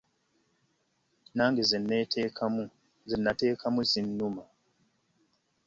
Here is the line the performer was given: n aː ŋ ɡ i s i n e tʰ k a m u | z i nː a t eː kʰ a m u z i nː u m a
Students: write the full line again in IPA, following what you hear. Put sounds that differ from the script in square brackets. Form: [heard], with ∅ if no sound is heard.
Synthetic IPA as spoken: n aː ŋ ɡ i [z] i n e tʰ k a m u | z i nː a t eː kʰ a m u z i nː u m a